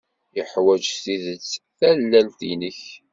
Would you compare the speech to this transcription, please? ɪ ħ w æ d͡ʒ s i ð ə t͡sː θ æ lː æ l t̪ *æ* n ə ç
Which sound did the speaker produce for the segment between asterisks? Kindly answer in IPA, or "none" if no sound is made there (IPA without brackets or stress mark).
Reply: i